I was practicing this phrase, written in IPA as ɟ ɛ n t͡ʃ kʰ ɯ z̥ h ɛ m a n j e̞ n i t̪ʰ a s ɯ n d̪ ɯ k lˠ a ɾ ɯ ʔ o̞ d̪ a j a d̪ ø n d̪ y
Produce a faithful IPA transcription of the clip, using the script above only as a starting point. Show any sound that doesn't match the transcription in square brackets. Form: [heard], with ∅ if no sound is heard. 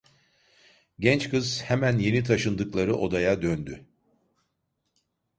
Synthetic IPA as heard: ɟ ɛ n t͡ʃ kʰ ɯ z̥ h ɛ m [æ] n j e̞ n i t̪ʰ a [ʃ] ɯ n d̪ ɯ k lˠ a ɾ ɯ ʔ o̞ d̪ a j a d̪ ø n d̪ y